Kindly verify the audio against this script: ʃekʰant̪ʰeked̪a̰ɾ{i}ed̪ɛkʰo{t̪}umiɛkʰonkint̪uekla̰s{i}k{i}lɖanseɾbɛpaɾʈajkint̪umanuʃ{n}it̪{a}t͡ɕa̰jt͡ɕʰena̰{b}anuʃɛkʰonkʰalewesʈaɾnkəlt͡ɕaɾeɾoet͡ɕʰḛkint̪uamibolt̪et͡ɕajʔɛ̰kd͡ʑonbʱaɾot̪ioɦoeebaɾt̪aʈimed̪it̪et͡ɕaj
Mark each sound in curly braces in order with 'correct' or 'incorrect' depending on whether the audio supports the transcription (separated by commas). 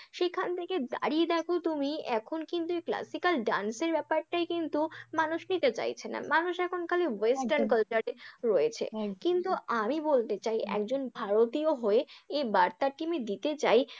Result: correct, correct, correct, incorrect, correct, incorrect, incorrect